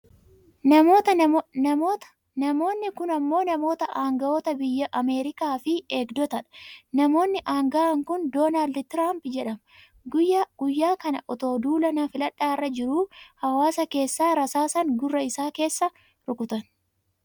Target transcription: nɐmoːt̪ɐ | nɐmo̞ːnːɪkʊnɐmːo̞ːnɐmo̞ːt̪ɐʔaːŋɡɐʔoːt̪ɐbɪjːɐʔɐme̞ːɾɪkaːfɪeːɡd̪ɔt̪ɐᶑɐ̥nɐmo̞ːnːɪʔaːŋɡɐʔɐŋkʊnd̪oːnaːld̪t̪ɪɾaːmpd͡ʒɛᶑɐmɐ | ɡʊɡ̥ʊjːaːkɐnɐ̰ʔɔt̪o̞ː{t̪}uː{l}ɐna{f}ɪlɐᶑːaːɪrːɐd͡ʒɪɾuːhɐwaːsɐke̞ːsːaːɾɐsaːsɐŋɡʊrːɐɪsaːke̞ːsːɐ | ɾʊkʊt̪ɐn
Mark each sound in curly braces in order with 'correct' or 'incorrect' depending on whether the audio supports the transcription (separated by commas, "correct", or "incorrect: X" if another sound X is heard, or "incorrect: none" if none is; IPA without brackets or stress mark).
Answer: incorrect: d̪, correct, correct